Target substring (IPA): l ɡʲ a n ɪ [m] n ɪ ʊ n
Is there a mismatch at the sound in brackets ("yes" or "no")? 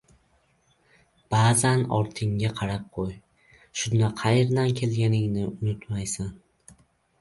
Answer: yes